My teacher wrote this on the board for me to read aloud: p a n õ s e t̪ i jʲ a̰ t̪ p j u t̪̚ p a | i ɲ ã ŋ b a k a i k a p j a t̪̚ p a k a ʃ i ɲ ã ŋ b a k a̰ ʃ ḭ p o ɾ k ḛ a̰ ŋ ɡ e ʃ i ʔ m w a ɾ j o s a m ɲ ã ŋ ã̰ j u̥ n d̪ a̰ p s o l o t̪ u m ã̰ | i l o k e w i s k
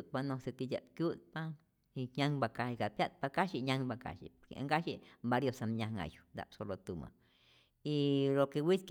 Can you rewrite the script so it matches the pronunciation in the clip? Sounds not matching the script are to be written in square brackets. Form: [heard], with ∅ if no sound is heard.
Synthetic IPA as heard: p a n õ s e t̪ i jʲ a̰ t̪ [k] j u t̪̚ p a | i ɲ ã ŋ b a k a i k a p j a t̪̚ p a k a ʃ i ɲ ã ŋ b a k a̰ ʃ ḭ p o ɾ k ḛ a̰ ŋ ɡ [a] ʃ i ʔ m [b] a ɾ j o s a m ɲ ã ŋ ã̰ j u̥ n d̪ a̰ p s o l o t̪ u m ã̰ | i l o k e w i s k